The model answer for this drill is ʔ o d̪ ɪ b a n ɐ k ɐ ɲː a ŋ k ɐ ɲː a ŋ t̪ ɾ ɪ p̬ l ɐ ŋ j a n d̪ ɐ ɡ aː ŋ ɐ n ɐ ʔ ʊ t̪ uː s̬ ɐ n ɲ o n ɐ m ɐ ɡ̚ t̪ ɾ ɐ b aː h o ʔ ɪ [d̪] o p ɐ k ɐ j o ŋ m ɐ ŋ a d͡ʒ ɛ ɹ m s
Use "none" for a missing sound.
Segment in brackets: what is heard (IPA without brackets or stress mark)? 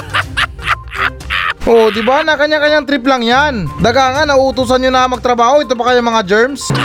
t̪